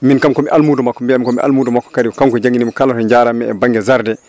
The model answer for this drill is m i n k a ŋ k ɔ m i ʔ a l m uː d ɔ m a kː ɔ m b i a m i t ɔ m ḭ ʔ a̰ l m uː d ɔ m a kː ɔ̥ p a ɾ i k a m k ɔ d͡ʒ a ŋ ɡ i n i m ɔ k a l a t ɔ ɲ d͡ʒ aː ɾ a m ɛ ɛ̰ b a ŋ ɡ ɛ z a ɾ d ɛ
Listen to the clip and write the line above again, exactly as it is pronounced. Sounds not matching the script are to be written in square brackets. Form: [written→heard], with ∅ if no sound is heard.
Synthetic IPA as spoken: m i n k a [ŋ→m] k ɔ m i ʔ a l m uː d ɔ m a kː ɔ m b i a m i [t→k] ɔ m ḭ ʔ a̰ l m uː d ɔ m a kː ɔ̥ [p→k] a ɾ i k a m k ɔ d͡ʒ a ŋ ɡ i n i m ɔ k a l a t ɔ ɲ d͡ʒ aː ɾ a m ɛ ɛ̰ b a ŋ ɡ ɛ z a ɾ d ɛ